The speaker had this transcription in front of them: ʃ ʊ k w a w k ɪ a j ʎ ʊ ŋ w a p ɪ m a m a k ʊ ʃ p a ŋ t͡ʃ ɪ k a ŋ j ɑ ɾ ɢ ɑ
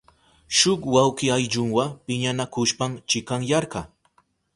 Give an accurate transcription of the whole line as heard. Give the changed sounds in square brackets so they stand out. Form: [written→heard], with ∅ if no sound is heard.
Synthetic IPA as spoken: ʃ ʊ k w a w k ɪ a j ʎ ʊ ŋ w a p ɪ [m→ɲ] a [m→n] a k ʊ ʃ p a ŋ t͡ʃ ɪ k a ŋ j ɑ ɾ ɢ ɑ